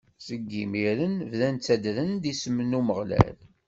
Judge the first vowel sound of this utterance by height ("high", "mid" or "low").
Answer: mid